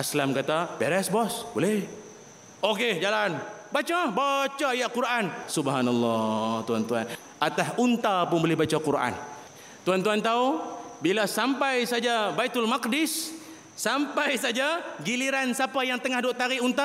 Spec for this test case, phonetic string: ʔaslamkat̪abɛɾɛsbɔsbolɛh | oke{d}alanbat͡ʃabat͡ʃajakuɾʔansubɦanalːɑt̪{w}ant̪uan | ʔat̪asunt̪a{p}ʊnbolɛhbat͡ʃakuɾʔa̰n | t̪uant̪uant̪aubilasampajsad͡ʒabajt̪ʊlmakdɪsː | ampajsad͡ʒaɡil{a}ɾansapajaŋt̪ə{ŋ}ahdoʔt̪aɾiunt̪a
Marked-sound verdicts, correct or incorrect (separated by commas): incorrect, incorrect, correct, incorrect, correct